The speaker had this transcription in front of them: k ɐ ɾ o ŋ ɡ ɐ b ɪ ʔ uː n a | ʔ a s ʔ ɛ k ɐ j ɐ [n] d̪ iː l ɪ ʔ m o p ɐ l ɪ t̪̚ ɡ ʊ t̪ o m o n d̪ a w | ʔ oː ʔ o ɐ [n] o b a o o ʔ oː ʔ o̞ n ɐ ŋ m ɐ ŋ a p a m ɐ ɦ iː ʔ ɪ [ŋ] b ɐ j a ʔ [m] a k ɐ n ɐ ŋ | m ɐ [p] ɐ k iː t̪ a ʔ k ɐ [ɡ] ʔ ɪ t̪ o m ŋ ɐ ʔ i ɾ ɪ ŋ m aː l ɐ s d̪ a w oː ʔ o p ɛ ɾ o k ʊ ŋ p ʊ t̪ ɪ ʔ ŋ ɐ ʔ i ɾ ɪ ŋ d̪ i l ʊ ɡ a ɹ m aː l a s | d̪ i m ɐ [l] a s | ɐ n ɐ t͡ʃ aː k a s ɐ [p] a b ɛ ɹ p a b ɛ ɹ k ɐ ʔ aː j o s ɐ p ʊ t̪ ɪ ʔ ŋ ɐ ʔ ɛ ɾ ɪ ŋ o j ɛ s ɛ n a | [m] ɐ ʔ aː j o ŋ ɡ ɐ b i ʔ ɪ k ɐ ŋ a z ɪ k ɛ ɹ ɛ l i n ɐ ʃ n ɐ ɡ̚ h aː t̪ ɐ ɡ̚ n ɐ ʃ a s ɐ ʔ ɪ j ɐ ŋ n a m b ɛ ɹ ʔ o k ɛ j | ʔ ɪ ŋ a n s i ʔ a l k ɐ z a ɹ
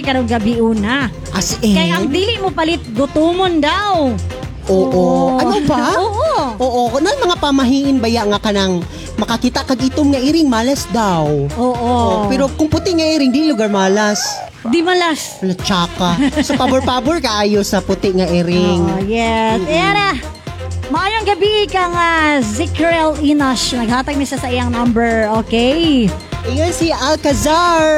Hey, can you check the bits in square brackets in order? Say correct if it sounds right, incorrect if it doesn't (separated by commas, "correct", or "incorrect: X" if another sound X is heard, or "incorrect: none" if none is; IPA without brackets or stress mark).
incorrect: ŋ, correct, incorrect: n, incorrect: ŋ, incorrect: k, correct, correct, correct, correct